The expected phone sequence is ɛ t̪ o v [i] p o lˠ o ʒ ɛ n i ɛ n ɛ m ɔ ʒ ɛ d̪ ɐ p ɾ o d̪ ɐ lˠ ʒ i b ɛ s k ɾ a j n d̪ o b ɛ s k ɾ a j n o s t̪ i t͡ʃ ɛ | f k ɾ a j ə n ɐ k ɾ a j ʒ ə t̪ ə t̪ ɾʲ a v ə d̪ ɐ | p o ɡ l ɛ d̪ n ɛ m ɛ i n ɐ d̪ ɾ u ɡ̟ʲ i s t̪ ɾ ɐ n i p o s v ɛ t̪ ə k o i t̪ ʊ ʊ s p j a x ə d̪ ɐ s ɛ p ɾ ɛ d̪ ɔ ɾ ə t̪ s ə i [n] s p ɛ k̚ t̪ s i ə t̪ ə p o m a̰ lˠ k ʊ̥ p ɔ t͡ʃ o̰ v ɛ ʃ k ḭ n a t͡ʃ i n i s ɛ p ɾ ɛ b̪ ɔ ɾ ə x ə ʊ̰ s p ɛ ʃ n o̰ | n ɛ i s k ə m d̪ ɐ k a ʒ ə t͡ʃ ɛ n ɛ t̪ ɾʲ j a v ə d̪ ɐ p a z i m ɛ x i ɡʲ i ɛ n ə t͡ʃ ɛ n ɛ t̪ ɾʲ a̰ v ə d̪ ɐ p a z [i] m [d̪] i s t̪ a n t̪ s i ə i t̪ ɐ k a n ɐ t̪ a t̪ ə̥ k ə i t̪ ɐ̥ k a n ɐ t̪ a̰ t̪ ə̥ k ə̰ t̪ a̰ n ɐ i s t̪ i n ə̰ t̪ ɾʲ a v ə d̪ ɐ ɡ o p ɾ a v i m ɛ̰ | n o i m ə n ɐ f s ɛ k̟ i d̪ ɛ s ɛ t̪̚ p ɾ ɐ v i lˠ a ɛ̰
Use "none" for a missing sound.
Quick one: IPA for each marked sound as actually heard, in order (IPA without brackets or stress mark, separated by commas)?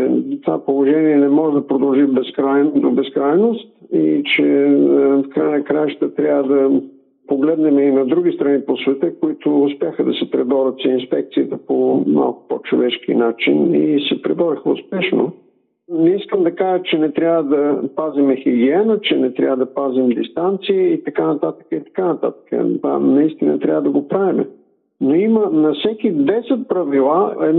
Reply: a, n, i, d̪